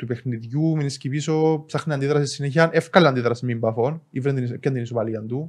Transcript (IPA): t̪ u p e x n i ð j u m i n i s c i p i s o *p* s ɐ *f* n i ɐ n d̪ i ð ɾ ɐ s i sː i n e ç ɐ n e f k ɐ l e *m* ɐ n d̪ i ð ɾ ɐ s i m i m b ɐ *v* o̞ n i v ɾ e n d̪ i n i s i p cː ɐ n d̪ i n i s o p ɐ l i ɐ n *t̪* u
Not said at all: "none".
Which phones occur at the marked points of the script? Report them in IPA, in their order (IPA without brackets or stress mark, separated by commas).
p, x, none, f, d̪